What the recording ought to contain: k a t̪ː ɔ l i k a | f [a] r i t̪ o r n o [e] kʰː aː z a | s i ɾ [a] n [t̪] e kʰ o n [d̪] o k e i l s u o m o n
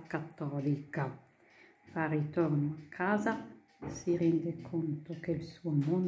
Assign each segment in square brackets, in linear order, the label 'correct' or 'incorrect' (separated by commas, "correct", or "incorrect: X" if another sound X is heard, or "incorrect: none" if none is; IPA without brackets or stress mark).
correct, incorrect: a, incorrect: ɛ, incorrect: d̪, incorrect: t̪